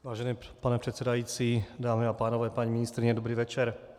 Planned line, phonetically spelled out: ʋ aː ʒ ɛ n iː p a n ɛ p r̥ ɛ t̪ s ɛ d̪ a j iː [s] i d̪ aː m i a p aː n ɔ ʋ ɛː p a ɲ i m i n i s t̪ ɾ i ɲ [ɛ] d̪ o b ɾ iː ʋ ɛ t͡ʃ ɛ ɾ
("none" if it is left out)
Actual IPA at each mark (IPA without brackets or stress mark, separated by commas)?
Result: t͡s, ɛ